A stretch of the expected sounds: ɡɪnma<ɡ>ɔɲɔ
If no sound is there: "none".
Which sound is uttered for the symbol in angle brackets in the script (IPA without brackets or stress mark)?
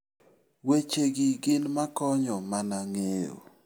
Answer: k